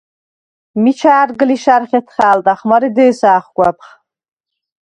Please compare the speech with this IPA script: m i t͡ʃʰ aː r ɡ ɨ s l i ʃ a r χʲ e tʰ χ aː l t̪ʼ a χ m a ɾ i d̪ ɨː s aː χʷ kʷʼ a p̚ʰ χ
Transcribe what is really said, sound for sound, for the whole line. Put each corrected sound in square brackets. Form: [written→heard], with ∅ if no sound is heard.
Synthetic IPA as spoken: m i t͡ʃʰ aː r ɡ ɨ [s→∅] l i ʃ a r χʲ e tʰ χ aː l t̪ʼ a χ m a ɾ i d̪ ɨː s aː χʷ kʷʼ a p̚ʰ χ